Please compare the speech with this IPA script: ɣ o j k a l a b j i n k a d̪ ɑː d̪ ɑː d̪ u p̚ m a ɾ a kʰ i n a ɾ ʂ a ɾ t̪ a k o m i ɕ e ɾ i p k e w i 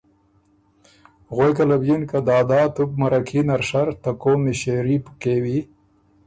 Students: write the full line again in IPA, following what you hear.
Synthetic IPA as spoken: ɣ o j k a l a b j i n k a d̪ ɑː d̪ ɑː t̪ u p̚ m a ɾ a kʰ i n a ɾ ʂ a ɾ t̪ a k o m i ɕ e ɾ i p k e w i